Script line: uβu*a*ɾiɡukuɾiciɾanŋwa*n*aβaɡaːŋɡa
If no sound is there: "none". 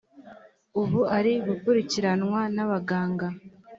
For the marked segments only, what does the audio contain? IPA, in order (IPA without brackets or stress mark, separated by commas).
a, n